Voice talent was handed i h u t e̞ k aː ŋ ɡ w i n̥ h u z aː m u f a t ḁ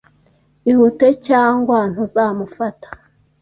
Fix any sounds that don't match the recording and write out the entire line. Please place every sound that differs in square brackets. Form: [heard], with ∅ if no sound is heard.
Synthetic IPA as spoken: i h u t e̞ [c] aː ŋ ɡ w [a] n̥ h u z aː m u f a t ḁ

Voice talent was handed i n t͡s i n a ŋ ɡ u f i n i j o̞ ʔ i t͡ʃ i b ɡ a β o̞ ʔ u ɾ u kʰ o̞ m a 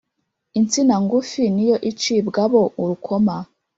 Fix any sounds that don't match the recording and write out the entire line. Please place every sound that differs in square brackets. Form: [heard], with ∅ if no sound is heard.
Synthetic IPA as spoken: i n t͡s i n a ŋ ɡ u f i n i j o̞ ʔ i t͡ʃ i b ɡ a β o̞ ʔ u ɾ u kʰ o̞ m a

